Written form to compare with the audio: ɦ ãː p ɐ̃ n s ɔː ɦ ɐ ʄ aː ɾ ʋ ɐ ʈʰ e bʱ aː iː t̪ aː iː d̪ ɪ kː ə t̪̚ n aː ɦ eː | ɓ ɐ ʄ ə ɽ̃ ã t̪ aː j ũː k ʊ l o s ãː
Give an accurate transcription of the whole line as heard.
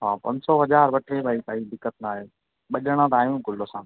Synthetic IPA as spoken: ɦ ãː p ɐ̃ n s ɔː ɦ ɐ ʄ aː ɾ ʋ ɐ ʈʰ e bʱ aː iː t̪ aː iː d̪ ɪ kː ə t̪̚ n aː ɦ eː | ɓ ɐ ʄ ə ɽ̃ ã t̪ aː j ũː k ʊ l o s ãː